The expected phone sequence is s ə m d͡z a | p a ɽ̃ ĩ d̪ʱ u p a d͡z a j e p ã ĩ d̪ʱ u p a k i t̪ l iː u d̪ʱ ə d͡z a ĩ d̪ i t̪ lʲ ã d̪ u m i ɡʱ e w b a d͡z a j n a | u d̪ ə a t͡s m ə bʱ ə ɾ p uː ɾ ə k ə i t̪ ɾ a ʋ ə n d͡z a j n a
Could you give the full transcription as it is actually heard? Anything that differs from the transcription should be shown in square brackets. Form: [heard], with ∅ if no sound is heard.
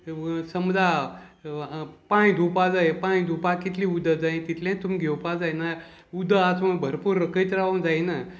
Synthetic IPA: s ə m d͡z a | p a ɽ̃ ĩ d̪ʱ u p a d͡z a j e p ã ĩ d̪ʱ u p a k i t̪ l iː u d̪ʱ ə d͡z a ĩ [t̪] i t̪ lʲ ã [t̪] u m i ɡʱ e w [p] a d͡z a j n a | u d̪ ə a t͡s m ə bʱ ə ɾ p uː ɾ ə k ə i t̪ ɾ a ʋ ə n d͡z a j n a